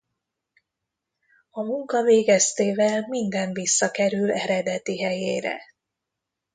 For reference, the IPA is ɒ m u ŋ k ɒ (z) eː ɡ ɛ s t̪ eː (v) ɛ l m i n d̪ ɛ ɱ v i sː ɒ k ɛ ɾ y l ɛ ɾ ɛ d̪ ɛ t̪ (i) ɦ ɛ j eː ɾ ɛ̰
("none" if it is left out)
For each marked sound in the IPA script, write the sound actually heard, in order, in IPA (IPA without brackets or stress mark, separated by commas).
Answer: v, v, i